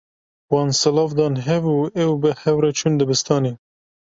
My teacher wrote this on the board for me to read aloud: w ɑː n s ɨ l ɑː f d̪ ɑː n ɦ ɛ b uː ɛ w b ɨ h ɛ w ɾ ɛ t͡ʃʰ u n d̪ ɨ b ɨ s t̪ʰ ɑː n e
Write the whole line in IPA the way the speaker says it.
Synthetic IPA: w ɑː n s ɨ l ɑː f d̪ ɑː n ɦ ɛ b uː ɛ w b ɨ h ɛ w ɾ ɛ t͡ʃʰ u n d̪ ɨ b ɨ s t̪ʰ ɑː n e